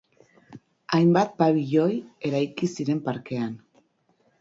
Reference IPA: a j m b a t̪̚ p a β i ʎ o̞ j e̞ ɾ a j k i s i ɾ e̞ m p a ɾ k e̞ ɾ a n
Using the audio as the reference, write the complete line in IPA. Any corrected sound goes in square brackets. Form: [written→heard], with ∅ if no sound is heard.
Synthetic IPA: a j m b a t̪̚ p a β i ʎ o̞ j e̞ ɾ a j k i s i ɾ e̞ m p a ɾ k e̞ [ɾ→∅] a n